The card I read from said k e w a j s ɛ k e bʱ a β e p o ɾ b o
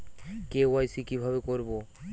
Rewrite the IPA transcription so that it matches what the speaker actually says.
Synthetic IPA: k e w a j s i k i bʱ a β e k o ɾ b o